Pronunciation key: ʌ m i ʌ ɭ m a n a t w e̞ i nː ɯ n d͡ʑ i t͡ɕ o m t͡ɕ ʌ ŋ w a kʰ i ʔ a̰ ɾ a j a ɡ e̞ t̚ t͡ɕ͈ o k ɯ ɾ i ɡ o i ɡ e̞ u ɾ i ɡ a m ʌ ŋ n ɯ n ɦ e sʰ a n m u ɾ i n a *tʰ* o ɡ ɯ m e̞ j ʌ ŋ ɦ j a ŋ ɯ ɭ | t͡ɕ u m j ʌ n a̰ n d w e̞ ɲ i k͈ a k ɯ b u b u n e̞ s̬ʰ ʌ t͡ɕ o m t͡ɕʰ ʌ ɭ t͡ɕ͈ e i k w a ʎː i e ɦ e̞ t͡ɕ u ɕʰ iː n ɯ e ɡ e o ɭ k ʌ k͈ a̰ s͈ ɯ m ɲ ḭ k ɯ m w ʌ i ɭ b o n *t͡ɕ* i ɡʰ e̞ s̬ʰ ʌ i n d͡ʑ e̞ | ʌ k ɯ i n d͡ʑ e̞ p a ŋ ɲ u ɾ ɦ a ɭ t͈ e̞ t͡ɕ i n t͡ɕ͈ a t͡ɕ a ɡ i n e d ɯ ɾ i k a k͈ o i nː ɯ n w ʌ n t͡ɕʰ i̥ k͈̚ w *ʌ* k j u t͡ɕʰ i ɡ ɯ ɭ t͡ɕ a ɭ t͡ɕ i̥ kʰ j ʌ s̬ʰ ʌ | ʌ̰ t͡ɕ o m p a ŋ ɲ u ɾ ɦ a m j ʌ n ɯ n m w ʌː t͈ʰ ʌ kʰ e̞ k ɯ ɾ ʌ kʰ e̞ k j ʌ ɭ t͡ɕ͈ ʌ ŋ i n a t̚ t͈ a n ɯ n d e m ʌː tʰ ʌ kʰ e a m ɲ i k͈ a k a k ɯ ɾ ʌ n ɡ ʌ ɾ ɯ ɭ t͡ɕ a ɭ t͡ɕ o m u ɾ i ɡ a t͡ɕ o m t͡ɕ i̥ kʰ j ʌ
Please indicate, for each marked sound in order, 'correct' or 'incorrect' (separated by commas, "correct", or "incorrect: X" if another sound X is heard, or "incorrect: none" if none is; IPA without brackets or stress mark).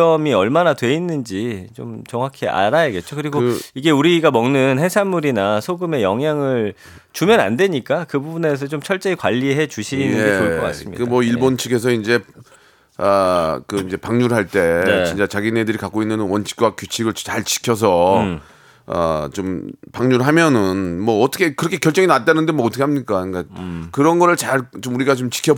incorrect: sʰ, incorrect: t͡ɕʰ, incorrect: a